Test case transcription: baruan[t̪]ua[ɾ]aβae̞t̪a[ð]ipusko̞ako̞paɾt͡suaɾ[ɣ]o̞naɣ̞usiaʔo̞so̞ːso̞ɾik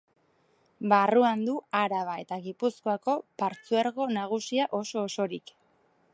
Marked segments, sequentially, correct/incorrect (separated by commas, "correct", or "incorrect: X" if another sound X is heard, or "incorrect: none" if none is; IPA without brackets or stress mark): incorrect: d̪, correct, incorrect: ɣ, correct